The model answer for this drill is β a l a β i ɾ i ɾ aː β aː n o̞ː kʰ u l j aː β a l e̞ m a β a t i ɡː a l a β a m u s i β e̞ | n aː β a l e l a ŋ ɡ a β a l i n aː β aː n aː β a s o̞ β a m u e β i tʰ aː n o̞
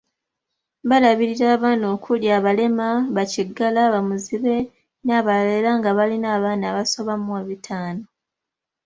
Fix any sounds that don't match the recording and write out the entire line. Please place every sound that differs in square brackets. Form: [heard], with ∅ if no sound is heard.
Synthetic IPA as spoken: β a l a β i ɾ i ɾ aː β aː n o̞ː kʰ u l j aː β a l e̞ m a β a [c] i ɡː a l a β a m u [z] i β e̞ | n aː β a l e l a ŋ ɡ a β a l i n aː β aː n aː β a s o̞ β a m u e β i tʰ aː n o̞